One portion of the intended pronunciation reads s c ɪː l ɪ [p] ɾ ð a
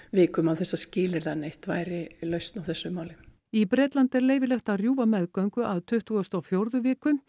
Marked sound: incorrect: none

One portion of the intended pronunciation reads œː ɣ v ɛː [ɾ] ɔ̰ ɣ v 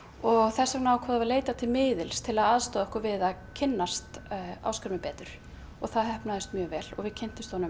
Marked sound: incorrect: l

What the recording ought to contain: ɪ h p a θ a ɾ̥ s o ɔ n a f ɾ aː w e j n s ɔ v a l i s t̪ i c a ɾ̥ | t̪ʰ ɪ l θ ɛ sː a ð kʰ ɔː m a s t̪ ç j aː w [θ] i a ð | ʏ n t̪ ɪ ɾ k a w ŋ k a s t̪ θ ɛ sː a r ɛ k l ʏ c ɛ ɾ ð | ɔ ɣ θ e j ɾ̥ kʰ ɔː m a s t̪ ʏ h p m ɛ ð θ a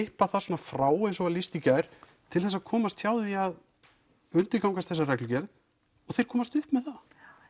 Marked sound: incorrect: ð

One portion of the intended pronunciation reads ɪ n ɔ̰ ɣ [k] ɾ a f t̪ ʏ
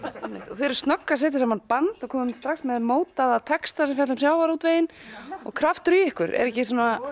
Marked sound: incorrect: kʰ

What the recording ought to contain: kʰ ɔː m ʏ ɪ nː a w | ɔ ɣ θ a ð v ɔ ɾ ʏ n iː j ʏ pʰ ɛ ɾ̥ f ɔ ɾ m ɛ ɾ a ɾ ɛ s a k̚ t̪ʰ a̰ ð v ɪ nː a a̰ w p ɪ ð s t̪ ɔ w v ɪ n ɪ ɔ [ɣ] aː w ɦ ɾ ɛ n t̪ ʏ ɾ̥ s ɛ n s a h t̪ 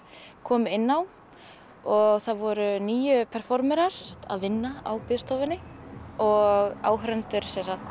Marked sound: correct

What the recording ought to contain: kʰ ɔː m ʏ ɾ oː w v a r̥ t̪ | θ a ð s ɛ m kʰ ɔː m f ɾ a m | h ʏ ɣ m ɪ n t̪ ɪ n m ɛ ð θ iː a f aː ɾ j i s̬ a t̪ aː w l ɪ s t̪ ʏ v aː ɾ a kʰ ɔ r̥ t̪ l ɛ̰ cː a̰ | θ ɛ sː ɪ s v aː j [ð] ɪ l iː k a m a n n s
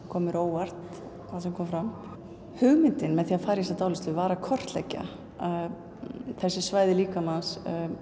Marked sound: correct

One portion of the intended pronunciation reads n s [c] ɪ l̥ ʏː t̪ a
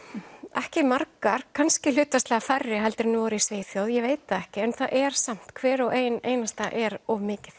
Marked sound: correct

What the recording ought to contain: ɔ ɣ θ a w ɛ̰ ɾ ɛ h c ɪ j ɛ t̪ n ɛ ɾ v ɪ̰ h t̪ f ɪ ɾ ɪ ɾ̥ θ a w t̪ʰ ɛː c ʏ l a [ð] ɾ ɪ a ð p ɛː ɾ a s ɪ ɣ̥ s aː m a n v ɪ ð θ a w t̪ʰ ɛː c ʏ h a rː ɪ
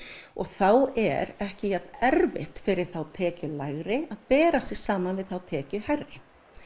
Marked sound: incorrect: ɣ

